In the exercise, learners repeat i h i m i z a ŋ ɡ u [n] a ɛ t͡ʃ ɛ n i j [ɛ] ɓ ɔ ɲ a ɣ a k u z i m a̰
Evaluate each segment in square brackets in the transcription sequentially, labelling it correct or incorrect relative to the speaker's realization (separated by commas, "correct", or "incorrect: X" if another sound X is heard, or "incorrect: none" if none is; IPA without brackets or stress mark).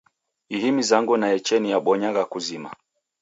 correct, incorrect: a